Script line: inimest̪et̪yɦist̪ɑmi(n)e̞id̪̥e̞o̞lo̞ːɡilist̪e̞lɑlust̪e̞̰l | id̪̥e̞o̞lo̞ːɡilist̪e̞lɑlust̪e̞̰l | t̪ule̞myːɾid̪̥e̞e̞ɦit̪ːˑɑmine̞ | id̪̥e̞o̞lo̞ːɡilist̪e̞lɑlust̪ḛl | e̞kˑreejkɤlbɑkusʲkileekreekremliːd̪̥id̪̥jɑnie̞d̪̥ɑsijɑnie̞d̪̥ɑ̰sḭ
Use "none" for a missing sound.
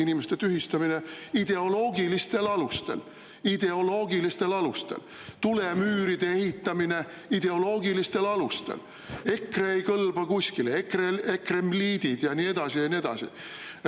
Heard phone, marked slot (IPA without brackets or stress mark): n